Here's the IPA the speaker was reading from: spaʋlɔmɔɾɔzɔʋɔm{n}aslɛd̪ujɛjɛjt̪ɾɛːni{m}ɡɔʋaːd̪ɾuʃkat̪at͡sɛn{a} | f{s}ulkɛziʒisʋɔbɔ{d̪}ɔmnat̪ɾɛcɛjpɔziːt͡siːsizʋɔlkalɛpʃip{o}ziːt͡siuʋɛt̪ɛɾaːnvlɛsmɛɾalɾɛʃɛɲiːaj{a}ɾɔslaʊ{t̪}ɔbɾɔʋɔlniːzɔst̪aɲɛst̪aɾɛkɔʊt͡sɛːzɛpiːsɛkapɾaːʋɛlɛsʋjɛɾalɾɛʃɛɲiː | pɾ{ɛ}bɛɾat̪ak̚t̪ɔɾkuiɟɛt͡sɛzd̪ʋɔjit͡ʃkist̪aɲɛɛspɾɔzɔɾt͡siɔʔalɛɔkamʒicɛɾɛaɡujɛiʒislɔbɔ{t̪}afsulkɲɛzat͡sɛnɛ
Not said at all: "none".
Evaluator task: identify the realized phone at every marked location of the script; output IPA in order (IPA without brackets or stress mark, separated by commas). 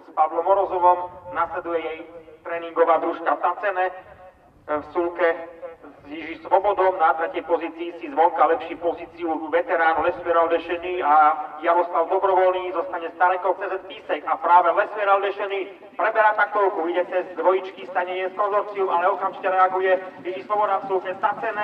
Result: n, ŋ, ɛ, s, d̪, ɔ, a, d̪, ɛ, d̪